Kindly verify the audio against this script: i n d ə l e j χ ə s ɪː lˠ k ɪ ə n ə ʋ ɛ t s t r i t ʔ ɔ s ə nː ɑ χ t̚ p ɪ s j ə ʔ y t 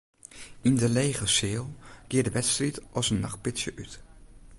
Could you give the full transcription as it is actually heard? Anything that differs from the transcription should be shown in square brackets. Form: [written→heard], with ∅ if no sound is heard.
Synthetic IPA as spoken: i n d ə l e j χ ə s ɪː lˠ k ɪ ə [n→d] ə ʋ ɛ t s t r i t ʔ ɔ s ə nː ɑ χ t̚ p ɪ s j ə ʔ y t